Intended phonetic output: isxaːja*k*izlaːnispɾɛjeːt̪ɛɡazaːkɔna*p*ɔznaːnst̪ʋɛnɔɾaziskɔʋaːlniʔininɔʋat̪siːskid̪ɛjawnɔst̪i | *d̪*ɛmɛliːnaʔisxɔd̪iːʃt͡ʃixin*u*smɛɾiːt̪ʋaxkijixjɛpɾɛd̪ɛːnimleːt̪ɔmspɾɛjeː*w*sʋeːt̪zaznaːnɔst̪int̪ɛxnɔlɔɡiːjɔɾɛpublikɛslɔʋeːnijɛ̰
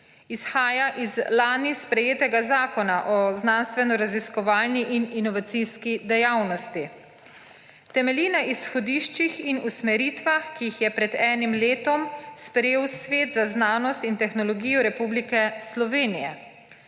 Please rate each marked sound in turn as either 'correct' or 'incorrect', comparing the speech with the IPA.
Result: incorrect, incorrect, incorrect, correct, correct

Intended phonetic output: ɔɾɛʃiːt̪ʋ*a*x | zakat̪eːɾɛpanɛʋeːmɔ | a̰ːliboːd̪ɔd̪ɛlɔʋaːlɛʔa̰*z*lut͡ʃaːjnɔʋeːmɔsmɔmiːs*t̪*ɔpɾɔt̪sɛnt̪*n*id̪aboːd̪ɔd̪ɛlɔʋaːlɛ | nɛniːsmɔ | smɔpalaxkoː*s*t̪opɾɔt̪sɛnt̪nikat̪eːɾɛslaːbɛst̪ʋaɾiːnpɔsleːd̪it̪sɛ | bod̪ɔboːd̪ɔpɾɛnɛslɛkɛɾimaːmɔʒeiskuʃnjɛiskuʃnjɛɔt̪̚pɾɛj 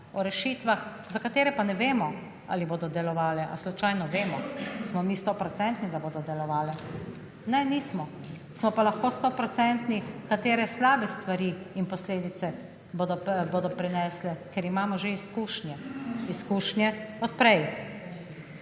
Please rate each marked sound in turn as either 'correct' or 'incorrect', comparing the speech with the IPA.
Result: correct, incorrect, correct, correct, correct

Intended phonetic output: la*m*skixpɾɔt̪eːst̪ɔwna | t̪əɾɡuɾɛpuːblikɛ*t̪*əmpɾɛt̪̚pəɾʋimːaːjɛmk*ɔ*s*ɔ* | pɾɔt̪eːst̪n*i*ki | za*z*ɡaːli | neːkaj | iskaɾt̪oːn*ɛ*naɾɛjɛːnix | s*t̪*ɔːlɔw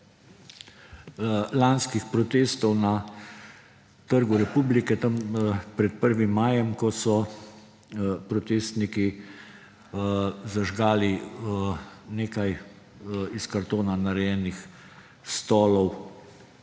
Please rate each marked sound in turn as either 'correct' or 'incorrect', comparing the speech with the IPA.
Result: incorrect, correct, correct, correct, correct, incorrect, incorrect, correct

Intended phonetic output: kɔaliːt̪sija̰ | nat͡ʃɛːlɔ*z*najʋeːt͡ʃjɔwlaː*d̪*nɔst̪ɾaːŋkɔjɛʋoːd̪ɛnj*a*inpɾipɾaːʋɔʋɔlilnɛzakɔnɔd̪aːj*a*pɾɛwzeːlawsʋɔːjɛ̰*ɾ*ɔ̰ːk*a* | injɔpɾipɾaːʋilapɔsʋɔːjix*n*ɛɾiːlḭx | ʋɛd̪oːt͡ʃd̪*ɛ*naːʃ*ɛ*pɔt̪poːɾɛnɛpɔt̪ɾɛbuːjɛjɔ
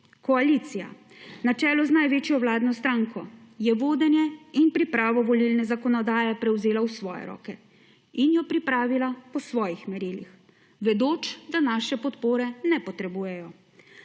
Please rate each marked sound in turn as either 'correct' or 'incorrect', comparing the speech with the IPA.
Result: correct, correct, incorrect, incorrect, correct, incorrect, incorrect, incorrect, correct

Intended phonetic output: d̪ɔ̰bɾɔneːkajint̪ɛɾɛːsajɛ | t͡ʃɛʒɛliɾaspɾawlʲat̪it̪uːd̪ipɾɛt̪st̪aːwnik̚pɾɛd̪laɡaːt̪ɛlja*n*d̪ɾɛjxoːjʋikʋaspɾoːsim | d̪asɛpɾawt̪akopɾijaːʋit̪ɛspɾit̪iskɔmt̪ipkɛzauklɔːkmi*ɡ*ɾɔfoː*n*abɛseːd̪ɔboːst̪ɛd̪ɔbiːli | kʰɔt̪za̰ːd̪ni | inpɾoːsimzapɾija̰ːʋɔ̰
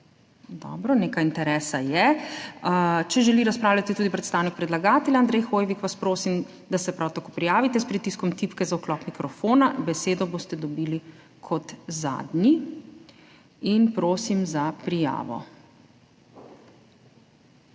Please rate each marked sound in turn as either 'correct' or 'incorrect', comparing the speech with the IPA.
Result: correct, incorrect, correct

